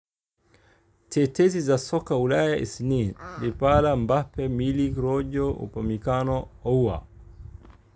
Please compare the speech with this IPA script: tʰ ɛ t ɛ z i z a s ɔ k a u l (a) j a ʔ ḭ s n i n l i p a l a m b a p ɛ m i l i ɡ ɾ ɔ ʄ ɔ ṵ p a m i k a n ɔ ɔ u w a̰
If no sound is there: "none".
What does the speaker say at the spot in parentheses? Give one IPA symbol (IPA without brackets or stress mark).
a